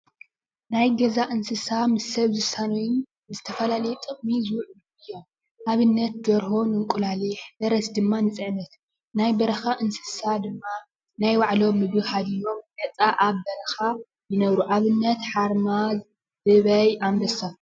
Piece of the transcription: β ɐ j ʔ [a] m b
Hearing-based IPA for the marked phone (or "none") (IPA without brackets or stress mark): a